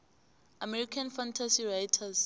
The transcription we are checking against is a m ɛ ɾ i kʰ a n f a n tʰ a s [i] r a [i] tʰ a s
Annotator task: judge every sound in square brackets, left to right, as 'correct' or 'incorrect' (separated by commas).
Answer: correct, incorrect